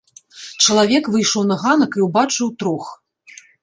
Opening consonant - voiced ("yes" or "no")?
no